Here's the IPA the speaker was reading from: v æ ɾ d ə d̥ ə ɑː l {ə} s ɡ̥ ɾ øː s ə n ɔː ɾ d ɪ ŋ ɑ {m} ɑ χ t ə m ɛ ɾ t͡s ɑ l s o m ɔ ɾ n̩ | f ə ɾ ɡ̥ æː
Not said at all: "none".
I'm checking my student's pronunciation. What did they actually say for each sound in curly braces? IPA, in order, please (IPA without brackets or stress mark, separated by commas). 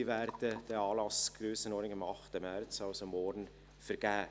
ɑ, m